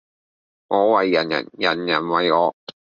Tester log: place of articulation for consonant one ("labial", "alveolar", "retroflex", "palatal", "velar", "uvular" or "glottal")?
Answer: velar